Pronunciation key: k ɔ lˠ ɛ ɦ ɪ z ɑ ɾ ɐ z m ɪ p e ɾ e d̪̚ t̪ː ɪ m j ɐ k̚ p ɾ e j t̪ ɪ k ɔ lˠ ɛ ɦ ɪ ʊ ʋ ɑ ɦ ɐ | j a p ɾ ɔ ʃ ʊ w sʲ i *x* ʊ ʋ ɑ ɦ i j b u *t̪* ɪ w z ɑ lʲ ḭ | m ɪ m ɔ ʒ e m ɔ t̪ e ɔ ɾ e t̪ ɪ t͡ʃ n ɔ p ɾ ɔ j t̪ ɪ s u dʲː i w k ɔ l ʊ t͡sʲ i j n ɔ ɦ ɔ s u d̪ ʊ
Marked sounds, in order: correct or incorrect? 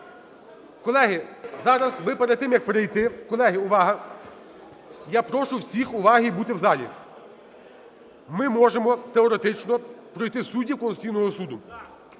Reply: correct, correct

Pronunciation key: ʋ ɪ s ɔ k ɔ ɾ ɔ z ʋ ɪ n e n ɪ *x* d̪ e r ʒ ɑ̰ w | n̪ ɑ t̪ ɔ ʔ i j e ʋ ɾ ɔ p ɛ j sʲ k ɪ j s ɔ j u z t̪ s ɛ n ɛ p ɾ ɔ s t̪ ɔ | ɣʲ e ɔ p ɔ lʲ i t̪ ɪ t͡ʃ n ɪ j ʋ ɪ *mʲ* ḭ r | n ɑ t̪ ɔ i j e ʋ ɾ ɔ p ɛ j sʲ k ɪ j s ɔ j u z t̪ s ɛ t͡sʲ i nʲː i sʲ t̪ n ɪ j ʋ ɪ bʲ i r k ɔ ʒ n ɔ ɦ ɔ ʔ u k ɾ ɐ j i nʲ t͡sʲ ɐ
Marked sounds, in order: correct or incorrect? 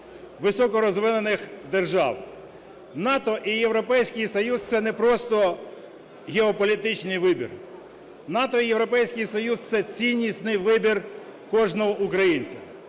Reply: correct, incorrect: bʲ

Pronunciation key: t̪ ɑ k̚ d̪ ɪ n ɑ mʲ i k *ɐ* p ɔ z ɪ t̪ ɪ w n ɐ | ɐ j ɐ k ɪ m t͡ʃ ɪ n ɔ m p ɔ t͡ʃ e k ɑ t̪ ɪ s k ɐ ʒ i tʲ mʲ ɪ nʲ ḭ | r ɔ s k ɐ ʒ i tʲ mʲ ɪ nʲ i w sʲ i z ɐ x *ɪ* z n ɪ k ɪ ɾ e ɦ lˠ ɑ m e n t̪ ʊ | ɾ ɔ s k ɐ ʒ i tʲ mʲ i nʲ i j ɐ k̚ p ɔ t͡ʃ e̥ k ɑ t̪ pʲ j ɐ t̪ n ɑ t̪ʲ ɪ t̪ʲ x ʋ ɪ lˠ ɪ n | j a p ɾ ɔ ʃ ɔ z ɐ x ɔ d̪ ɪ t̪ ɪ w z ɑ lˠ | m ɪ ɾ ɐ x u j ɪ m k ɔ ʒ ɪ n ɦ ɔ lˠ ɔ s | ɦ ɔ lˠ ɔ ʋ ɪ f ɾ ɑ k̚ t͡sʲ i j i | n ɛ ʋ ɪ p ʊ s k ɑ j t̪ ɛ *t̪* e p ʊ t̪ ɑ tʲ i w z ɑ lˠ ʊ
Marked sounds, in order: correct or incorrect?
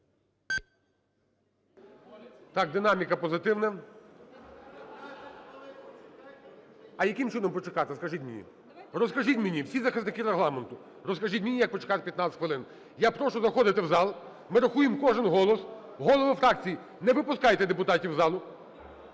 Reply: correct, correct, incorrect: d̪

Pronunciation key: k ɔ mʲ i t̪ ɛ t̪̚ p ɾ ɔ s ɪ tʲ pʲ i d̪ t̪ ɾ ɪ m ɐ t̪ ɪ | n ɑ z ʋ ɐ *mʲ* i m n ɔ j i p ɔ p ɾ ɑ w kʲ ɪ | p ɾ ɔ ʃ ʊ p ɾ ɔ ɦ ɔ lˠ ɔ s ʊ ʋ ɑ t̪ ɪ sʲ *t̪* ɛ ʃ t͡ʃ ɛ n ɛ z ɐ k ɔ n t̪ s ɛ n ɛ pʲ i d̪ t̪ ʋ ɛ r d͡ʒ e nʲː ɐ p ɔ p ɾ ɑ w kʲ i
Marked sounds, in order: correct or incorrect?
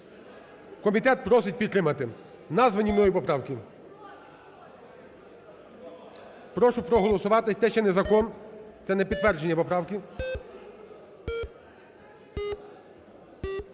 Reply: incorrect: nʲ, correct

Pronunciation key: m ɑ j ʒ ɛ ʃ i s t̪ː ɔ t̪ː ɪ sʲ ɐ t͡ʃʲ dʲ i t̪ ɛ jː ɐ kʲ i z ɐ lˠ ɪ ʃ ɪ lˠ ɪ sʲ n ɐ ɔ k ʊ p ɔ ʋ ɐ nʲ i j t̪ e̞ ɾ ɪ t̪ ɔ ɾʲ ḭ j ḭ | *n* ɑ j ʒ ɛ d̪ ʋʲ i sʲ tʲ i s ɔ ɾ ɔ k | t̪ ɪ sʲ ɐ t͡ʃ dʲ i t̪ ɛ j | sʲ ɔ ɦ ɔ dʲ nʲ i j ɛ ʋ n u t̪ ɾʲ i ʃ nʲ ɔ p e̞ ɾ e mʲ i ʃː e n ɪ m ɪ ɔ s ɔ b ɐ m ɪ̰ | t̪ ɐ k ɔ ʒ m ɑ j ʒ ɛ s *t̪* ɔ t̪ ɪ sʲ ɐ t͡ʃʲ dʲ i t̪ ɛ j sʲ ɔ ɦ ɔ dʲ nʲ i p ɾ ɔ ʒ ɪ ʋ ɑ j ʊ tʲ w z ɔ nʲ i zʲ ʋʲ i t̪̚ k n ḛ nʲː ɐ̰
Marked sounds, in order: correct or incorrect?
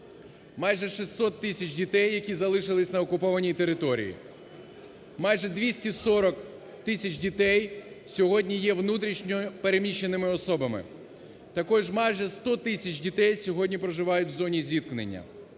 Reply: incorrect: m, correct

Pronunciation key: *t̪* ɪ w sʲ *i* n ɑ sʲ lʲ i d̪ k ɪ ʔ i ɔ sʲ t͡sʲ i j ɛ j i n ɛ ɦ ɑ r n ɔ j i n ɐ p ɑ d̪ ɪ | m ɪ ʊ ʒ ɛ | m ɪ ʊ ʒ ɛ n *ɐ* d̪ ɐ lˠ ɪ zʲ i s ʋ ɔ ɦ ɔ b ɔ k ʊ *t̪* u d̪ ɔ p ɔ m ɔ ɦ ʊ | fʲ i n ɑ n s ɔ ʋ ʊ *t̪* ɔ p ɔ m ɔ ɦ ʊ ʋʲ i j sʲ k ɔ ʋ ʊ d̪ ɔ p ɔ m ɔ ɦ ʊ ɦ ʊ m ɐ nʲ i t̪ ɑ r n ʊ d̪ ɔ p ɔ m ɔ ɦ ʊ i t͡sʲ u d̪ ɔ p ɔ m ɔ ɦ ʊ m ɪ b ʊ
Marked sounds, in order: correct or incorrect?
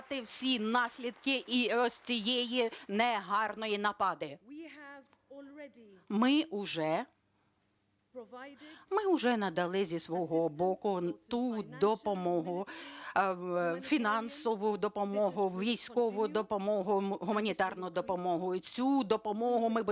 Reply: correct, correct, correct, correct, incorrect: d̪

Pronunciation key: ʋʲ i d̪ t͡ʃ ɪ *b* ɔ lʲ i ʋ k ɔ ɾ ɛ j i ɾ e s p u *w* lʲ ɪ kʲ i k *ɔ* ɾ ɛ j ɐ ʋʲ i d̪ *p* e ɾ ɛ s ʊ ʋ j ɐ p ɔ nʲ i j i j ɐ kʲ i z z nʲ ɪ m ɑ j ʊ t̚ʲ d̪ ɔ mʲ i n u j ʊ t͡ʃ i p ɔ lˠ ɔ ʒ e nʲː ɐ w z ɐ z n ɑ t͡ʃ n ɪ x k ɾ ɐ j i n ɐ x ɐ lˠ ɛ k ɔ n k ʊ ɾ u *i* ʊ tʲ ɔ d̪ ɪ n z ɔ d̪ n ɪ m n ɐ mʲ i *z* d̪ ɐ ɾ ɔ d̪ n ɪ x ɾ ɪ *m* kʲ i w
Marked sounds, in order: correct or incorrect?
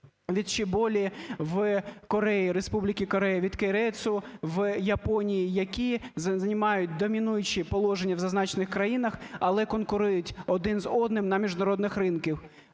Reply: correct, incorrect: b, correct, incorrect: k, incorrect: j, incorrect: ʒ, incorrect: n

